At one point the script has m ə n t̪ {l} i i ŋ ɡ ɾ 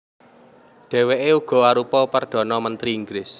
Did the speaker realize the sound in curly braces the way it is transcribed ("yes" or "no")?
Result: no